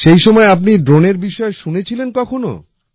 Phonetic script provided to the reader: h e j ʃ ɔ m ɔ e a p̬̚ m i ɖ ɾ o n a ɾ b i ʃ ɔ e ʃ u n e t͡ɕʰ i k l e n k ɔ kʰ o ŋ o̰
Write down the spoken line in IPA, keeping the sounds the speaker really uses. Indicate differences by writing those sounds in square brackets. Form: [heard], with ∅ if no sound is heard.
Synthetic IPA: [ʃ] e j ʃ ɔ m ɔ e a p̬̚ [n] i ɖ ɾ o n [e] ɾ b i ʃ ɔ e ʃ u n e t͡ɕʰ i [∅] l e n k ɔ kʰ o [n] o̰

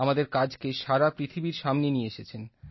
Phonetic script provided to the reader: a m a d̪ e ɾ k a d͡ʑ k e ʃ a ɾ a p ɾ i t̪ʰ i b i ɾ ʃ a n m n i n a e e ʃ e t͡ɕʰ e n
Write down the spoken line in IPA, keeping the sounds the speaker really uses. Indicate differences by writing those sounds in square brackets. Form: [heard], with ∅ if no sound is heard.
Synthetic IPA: a m a d̪ e ɾ k a d͡ʑ k e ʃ a ɾ a p ɾ i t̪ʰ i b i ɾ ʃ a [∅] m n [e] n [i] e e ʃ e t͡ɕʰ e n

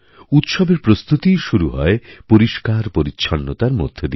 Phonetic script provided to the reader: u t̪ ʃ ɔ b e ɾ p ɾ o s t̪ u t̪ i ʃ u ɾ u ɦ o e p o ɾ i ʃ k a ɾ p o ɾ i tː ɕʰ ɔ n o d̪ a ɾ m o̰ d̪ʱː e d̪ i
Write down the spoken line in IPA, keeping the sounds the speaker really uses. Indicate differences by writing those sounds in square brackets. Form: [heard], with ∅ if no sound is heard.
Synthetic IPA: u t̪ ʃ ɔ b e ɾ p ɾ o s t̪ u t̪ i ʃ u ɾ u ɦ [ɔ] e p o ɾ i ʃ k a ɾ p o ɾ i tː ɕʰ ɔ [nː] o [t̪] a ɾ m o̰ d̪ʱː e d̪ i

